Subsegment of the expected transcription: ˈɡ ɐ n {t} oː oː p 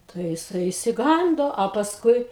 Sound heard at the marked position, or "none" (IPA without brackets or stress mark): d